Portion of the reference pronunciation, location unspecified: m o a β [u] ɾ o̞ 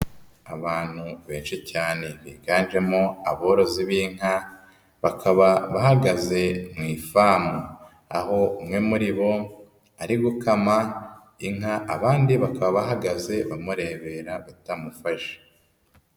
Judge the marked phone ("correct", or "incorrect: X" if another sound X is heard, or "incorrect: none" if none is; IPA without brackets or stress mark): incorrect: o